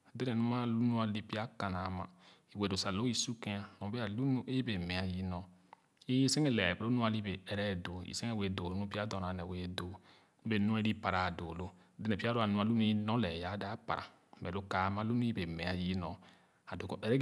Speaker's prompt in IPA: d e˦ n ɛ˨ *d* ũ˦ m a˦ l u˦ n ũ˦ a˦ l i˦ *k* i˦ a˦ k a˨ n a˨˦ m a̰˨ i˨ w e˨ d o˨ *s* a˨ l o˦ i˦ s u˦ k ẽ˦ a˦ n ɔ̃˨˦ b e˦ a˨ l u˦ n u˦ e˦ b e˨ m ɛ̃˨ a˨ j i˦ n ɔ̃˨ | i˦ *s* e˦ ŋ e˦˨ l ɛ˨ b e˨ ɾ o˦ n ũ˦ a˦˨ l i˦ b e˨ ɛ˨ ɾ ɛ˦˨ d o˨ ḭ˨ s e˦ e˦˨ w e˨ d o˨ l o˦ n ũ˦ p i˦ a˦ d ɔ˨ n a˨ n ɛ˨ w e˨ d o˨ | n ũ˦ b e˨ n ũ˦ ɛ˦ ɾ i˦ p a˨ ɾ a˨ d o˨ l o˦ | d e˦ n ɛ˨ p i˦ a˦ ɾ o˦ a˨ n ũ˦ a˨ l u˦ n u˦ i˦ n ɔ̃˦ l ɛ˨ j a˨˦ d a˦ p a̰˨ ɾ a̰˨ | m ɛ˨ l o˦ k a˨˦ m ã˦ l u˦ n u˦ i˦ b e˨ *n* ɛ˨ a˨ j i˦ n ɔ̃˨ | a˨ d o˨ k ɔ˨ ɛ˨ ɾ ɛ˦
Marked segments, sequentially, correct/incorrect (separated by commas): incorrect, incorrect, correct, correct, incorrect